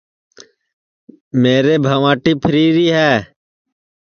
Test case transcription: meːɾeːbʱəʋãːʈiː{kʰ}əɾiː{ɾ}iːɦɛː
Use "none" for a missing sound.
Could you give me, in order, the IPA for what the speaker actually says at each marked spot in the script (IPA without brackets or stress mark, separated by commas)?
pʰ, ɾ